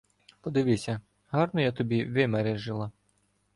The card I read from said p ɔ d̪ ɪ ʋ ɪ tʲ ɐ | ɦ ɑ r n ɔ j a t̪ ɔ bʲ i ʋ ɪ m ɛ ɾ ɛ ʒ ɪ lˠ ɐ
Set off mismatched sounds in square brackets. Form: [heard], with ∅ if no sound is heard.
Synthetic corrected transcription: p ɔ d̪ ɪ ʋ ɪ [sʲ] ɐ | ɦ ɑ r n ɔ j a t̪ ɔ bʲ i ʋ ɪ m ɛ ɾ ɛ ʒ ɪ lˠ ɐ